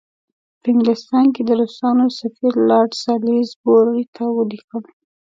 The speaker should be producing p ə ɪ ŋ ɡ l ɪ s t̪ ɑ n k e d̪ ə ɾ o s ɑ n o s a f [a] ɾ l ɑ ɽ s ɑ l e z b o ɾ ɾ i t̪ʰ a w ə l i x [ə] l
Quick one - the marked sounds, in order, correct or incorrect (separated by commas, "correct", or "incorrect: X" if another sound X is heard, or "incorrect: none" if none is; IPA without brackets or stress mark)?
incorrect: i, correct